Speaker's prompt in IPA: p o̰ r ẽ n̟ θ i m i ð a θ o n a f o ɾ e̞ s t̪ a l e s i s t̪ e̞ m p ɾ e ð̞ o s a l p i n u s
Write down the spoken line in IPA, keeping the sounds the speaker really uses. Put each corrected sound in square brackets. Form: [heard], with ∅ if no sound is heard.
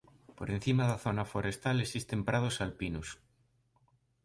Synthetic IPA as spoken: p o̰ [ɾ] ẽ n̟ θ i m [a] ð a θ o n a f o ɾ e̞ s t̪ a l e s i s t̪ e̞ m p ɾ [a] ð̞ o s a l p i n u s